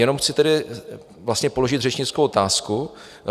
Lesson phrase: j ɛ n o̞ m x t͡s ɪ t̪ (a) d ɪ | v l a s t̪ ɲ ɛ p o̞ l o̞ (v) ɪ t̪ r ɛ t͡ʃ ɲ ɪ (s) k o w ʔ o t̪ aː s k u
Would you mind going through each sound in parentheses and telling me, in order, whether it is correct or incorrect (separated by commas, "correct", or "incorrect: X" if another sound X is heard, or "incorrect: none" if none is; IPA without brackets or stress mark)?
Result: incorrect: ɛ, incorrect: ʒ, incorrect: t͡s